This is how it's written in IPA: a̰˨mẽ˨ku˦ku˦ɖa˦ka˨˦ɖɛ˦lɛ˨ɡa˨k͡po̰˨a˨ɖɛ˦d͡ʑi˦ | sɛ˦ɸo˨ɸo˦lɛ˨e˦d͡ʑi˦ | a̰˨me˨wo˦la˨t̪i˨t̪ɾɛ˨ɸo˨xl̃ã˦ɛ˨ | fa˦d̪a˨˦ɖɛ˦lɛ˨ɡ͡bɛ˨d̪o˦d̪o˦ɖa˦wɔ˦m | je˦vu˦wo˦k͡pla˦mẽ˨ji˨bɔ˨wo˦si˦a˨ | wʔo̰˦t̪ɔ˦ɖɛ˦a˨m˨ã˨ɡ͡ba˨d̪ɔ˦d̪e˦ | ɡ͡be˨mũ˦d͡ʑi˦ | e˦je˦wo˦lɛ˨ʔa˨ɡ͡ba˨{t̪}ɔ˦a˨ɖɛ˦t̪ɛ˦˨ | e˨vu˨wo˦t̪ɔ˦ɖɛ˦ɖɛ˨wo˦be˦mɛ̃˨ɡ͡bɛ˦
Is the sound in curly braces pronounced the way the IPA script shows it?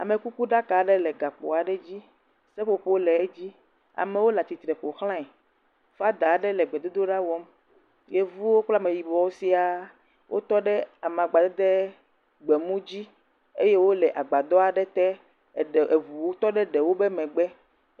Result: no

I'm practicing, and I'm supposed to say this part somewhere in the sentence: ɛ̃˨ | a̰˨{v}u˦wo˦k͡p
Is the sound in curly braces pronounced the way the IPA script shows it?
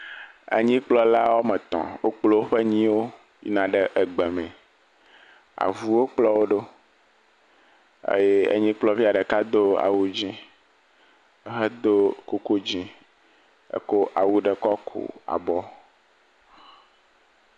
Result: yes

